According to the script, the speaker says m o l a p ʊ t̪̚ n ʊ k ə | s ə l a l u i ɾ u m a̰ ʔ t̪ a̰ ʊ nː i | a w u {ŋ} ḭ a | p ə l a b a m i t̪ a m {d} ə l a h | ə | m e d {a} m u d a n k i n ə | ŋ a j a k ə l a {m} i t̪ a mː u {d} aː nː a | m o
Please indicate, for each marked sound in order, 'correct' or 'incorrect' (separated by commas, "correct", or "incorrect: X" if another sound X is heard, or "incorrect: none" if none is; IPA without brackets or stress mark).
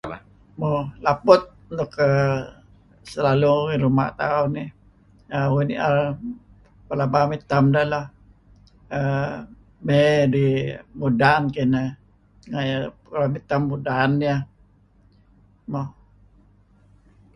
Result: incorrect: n, correct, incorrect: i, correct, correct